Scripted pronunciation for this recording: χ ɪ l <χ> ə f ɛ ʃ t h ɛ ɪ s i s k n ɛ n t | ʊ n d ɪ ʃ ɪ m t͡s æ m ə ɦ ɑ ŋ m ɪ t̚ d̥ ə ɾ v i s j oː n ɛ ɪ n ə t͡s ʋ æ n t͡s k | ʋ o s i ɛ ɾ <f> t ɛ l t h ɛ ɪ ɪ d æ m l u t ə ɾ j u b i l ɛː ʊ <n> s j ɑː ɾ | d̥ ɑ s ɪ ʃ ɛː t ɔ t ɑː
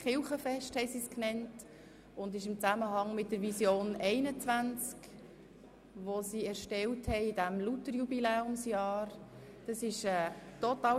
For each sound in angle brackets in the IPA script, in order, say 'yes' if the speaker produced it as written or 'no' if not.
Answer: yes, no, no

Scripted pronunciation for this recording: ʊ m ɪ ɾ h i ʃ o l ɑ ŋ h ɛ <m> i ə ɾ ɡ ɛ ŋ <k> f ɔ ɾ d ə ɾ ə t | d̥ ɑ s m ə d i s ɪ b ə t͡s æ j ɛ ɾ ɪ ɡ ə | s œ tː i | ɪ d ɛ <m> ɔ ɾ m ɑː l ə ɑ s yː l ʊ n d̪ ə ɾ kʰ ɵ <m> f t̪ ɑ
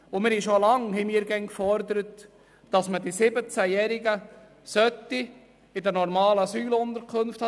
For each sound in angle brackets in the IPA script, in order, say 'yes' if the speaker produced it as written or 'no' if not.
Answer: yes, yes, no, no

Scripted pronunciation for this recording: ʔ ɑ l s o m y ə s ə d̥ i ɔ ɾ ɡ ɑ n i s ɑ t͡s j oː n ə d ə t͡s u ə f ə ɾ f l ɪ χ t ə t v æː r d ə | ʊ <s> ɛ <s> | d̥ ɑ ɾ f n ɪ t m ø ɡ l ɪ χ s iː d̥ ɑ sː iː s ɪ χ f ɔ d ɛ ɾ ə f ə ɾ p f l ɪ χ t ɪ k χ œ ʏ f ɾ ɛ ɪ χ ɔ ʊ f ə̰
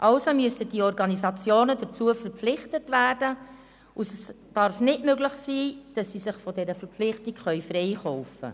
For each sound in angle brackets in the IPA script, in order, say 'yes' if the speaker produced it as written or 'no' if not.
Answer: yes, yes

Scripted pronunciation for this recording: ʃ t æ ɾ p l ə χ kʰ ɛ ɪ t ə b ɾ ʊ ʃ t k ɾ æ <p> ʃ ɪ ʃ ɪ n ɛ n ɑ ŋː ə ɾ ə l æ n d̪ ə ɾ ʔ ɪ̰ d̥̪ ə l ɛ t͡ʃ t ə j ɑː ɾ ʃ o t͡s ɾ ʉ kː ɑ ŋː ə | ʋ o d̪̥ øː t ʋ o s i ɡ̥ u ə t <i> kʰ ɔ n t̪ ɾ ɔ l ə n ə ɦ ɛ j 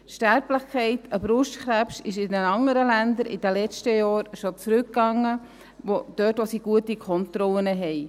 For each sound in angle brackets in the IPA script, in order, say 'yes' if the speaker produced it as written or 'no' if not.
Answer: yes, yes

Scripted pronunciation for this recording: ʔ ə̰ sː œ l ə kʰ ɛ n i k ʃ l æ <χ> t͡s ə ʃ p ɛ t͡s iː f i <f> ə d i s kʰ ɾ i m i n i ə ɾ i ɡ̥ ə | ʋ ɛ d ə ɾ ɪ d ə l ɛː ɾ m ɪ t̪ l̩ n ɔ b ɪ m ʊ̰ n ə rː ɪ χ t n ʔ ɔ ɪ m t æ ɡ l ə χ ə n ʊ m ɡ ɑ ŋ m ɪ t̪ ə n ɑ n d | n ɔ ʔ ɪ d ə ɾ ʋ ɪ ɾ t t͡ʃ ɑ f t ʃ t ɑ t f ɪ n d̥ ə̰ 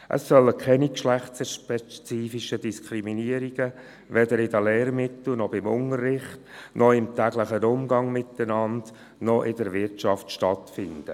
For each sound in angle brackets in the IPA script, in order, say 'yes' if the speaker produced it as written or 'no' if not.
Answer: yes, no

